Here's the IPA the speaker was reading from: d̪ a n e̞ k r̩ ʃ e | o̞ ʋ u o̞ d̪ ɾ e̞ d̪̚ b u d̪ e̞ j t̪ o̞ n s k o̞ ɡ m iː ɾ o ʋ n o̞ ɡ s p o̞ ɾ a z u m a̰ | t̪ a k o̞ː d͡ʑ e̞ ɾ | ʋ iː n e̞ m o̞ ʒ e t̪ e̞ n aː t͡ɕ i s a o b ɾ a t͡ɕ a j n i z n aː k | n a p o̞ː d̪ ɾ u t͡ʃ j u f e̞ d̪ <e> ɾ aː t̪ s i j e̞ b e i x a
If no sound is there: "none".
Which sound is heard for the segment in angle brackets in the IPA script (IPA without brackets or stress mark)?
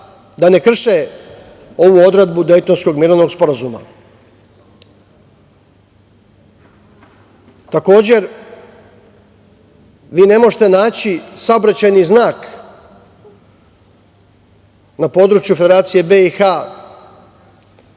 e